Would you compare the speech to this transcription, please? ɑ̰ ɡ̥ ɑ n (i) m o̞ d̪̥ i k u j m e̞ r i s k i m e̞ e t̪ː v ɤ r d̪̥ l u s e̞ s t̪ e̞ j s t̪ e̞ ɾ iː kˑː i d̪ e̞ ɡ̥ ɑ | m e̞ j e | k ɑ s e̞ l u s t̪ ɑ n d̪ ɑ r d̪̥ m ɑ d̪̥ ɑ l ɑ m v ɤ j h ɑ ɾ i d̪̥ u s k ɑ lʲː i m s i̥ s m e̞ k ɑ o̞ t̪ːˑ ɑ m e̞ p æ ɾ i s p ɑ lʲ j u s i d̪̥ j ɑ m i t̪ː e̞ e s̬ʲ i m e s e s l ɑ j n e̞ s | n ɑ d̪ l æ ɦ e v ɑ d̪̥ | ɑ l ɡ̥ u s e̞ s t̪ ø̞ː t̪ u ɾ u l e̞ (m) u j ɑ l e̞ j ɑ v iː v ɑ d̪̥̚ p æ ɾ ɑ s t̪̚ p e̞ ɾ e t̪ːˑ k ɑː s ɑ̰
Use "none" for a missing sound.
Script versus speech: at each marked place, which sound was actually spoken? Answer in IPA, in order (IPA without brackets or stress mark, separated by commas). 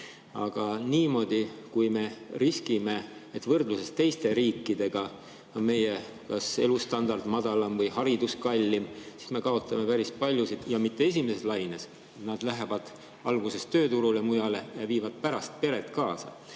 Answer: iː, m